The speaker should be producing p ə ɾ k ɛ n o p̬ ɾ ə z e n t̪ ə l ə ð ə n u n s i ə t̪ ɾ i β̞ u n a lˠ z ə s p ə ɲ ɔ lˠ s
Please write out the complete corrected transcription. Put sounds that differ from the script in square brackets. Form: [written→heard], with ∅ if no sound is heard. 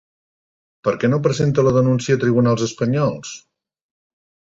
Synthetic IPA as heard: p ə ɾ k ɛ n o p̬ ɾ ə z e n t̪ ə l ə ð ə n u n s i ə t̪ ɾ i β̞ u n a lˠ z ə s p ə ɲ ɔ lˠ s